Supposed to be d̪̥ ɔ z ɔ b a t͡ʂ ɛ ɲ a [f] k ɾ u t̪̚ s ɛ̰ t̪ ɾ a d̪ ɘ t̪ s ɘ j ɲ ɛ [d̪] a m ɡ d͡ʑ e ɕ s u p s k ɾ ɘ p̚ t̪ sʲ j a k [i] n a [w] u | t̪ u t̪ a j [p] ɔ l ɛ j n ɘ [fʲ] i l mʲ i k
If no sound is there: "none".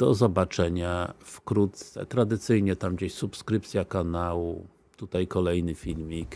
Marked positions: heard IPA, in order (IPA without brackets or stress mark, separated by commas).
f, t̪, a, w, k, fʲ